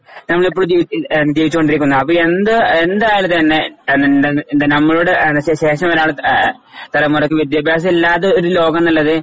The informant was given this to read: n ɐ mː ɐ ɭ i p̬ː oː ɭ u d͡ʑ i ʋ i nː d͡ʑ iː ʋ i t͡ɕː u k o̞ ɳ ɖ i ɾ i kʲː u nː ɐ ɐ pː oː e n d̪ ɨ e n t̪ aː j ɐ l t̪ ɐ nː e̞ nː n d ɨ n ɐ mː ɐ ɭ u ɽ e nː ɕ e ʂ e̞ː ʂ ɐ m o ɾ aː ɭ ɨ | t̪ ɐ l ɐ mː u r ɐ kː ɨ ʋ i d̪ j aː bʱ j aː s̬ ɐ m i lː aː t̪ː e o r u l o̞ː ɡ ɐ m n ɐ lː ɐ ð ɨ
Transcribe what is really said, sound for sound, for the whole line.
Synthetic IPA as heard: n ɐ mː ɐ ɭ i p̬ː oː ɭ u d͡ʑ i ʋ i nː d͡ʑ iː ʋ i t͡ɕː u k o̞ ɳ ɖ i ɾ i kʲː u nː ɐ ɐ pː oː e n d̪ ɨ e n d̪ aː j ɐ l t̪ ɐ nː e̞ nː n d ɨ n ɐ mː ɐ ɭ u ɽ e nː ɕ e ɕ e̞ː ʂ ɐ m o ɾ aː ɭ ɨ | t̪ ɐ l ɐ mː u r ɐ kː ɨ ʋ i d̪ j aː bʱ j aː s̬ ɐ m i lː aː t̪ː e o ɾ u l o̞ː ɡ ɐ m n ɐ lː ɐ ð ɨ